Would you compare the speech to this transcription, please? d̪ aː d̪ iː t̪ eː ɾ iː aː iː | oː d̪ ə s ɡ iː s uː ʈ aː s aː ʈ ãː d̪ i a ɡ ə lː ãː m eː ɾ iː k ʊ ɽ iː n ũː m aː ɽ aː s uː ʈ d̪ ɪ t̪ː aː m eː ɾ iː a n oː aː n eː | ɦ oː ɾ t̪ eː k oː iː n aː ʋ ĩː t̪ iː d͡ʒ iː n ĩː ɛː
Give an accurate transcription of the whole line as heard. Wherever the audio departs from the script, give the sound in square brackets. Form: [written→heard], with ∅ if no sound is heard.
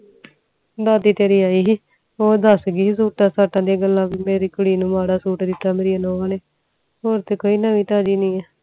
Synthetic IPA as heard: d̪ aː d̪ iː t̪ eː ɾ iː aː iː | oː d̪ ə s ɡ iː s uː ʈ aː s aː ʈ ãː d̪ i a ɡ ə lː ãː m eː ɾ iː k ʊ ɽ iː n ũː m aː ɽ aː s uː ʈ d̪ ɪ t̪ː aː m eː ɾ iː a n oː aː n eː | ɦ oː ɾ t̪ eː k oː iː n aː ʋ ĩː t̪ [iː→aː] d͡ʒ iː n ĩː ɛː